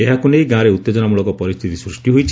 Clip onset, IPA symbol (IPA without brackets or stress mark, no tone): e